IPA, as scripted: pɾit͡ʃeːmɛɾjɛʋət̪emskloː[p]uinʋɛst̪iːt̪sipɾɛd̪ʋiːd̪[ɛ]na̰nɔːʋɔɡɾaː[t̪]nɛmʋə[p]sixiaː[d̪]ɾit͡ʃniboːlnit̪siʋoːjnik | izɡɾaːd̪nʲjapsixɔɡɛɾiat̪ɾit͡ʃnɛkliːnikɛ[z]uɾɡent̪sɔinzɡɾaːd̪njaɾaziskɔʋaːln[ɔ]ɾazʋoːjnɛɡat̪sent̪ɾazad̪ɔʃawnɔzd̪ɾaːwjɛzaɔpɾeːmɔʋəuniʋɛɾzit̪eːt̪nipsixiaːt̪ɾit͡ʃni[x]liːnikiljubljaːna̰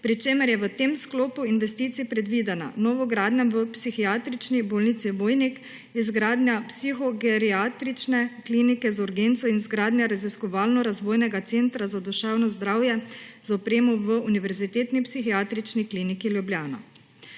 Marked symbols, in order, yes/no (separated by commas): yes, yes, no, yes, no, yes, yes, no